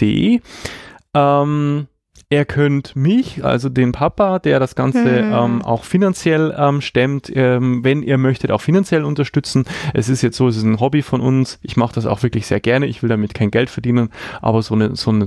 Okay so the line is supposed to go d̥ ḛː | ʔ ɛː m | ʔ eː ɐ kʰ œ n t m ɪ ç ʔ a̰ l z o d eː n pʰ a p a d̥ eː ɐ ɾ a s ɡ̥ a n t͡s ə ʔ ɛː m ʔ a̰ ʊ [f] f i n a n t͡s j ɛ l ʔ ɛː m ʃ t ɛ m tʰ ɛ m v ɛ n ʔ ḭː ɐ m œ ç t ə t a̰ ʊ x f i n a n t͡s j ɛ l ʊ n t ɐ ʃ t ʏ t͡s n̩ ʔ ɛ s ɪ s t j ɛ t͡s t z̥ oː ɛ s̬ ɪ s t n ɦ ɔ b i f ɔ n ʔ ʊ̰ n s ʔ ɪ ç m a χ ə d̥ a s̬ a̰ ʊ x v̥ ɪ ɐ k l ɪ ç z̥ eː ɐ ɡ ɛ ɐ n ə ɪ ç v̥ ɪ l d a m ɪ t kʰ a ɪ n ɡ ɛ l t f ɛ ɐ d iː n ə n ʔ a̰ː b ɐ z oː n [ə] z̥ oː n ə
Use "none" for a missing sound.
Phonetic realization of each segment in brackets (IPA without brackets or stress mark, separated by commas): x, ə